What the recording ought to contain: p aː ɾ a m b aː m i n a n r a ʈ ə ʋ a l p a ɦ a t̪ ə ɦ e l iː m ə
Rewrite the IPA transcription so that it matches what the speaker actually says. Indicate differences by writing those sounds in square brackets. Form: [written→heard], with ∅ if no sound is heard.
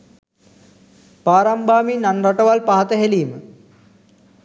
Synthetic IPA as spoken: p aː ɾ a m b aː m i n a n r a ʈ ə ʋ a l p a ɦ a t̪ ə ɦ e l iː m ə

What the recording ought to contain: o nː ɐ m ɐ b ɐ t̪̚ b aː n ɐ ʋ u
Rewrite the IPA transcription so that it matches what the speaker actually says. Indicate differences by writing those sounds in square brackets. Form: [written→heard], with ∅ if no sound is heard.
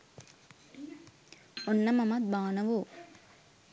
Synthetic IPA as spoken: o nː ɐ m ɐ [b→m] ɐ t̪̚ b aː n ɐ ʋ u

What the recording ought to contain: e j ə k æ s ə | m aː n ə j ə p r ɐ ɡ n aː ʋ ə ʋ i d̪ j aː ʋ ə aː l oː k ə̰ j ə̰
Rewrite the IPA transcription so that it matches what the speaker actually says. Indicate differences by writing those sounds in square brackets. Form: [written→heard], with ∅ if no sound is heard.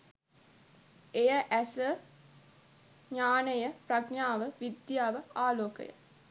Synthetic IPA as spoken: e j ə [k→ʔ] æ s ə | [m→ɲ] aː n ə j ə p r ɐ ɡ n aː ʋ ə ʋ i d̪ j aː ʋ ə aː l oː k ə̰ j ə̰

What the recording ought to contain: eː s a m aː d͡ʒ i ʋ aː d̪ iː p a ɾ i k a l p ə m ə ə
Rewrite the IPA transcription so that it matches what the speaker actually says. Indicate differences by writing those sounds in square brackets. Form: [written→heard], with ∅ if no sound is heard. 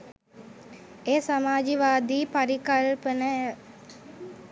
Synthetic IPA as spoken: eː s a m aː d͡ʒ i ʋ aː d̪ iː p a ɾ i k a l p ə [m→n] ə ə

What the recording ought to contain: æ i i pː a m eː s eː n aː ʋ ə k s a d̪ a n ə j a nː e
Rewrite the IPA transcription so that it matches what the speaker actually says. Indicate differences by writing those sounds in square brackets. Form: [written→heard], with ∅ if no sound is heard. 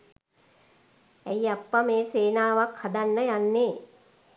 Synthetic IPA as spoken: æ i [i→a] pː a m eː s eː n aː ʋ [ə→a] k [s→h] a d̪ a [n→nː] ə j a nː e

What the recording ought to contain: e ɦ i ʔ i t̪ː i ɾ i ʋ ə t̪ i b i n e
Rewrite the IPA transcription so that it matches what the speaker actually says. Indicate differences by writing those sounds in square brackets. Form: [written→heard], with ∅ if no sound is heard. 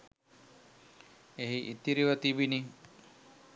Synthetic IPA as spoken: e ɦ i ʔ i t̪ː i ɾ i ʋ ə t̪ i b i n [e→i]

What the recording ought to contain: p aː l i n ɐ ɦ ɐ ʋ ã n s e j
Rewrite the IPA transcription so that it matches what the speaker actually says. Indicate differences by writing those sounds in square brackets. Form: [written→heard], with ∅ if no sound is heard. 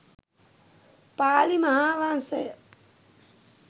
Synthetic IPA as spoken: p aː l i [n→m] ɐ ɦ [ɐ→a] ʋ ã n s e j

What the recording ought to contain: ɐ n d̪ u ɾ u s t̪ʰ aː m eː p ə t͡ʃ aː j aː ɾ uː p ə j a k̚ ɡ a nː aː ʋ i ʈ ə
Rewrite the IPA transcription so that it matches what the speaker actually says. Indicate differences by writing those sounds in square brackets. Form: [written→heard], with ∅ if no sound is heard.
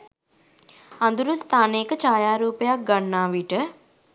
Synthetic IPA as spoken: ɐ n d̪ u ɾ u s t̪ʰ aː [m→n] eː [p→k] ə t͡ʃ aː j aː ɾ uː p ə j a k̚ ɡ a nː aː ʋ i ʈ ə

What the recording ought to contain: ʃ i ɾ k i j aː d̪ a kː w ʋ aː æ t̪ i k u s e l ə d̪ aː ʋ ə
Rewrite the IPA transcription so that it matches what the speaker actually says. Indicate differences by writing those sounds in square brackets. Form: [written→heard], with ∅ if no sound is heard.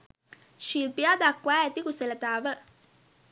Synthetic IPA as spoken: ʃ i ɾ [k→p] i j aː d̪ a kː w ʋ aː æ t̪ i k u s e l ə [d̪→t̪] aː ʋ ə

